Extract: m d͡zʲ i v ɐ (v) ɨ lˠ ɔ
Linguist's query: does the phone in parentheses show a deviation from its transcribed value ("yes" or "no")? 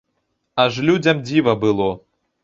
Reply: yes